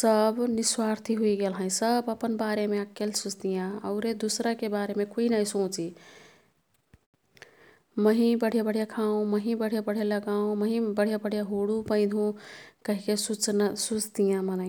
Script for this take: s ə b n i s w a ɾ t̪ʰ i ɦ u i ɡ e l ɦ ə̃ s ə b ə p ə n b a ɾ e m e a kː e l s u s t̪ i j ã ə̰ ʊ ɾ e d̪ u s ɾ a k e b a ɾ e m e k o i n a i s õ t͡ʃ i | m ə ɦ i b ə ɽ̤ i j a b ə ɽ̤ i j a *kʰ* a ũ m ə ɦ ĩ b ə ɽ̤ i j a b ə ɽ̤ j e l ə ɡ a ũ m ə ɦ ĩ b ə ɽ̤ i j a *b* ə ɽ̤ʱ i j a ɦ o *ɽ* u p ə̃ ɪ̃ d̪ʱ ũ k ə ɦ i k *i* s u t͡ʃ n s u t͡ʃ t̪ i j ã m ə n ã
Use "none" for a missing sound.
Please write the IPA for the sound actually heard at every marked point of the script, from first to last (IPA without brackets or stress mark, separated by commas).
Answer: kʰ, b, ɽ, e